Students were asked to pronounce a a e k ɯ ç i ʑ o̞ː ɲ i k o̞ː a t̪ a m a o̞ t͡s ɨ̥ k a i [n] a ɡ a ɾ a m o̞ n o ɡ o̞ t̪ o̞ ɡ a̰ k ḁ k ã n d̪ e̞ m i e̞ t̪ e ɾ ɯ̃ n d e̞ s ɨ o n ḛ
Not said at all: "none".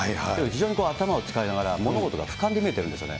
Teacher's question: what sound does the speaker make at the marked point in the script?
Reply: n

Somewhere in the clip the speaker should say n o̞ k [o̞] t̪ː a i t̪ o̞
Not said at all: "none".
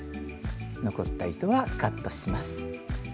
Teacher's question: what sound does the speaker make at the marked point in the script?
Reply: o̞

